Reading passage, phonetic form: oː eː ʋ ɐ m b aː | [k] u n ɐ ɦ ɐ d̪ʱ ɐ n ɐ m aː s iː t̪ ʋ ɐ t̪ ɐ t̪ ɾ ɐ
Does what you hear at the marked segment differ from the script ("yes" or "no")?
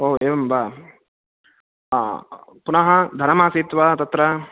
yes